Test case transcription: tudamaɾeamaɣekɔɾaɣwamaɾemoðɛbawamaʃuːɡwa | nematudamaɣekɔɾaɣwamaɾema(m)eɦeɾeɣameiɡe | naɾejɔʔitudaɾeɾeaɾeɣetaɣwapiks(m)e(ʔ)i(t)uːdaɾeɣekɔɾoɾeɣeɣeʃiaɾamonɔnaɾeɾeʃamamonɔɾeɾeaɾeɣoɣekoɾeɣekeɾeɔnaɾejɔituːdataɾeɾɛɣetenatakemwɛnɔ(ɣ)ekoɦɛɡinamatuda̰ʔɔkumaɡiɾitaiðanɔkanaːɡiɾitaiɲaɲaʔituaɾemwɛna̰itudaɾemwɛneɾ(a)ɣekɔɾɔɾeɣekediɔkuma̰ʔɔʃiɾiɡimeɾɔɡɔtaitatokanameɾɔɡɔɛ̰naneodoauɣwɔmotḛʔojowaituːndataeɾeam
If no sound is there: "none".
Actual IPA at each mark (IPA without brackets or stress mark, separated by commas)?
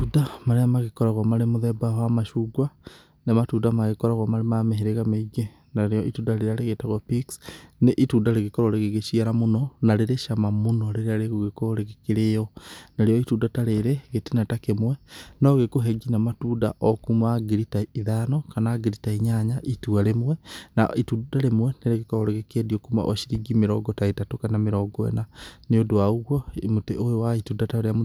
m, n, ʔ, t, ɣ, e